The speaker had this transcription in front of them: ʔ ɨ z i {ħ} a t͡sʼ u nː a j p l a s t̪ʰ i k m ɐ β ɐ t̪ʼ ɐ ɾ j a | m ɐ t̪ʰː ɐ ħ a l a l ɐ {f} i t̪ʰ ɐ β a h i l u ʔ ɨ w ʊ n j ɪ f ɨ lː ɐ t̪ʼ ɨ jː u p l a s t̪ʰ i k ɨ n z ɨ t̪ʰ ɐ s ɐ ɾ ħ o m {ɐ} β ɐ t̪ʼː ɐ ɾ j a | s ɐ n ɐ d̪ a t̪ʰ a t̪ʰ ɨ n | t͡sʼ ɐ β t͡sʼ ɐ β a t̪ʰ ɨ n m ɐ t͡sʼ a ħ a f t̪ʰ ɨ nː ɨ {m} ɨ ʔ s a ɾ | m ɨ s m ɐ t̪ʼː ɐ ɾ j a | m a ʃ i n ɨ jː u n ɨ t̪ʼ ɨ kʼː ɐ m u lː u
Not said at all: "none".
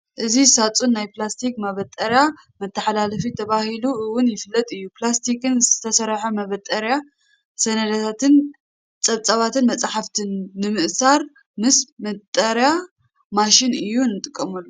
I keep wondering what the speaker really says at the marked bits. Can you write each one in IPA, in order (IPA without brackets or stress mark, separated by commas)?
s, f, ɐ, m